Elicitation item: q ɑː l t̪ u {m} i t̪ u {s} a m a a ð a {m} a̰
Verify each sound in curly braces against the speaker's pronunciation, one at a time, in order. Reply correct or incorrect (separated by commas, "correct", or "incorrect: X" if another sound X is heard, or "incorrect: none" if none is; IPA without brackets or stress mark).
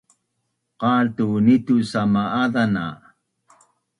incorrect: n, correct, incorrect: n